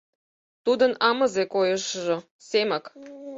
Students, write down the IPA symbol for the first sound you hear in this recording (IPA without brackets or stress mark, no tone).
t̪